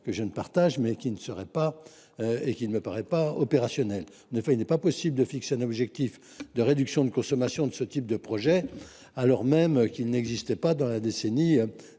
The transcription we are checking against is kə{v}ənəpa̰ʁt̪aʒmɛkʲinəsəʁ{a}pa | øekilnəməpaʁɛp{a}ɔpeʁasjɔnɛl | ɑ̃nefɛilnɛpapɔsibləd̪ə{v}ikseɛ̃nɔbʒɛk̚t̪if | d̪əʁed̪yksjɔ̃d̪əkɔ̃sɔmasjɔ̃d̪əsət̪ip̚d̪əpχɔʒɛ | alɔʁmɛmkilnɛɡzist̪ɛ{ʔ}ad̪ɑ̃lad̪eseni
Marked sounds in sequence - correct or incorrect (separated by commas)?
incorrect, incorrect, correct, incorrect, incorrect